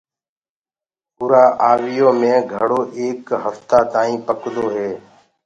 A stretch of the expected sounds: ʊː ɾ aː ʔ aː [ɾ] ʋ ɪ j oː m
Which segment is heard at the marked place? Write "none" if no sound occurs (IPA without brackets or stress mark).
none